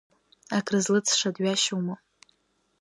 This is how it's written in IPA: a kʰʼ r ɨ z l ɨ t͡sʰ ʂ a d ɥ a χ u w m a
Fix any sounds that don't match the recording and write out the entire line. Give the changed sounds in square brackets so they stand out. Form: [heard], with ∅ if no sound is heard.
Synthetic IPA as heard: a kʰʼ r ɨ z l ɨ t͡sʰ ʂ a d ɥ a [ʃ] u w m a